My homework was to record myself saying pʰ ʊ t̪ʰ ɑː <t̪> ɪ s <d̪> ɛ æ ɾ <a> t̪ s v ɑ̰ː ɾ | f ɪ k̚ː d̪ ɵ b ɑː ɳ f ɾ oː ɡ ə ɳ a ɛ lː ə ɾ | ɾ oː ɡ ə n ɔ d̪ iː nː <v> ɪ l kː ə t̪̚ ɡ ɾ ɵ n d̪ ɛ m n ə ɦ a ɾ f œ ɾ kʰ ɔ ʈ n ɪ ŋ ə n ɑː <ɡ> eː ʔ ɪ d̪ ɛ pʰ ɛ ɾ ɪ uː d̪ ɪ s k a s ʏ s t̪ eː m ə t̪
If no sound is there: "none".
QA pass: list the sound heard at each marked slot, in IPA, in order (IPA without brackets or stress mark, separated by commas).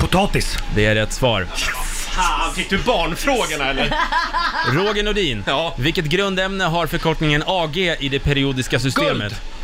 t̪, d̪, ɛ, v, ɡ